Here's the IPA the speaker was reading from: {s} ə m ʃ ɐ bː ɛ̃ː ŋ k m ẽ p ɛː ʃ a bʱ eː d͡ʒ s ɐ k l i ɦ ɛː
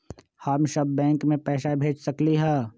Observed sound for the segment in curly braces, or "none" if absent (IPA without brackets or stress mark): h